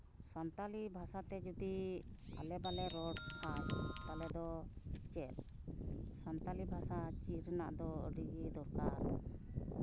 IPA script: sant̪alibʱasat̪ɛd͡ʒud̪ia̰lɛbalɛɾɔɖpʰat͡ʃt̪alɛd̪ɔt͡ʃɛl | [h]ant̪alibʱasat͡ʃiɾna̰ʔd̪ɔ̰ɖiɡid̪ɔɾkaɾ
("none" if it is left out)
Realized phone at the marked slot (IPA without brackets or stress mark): s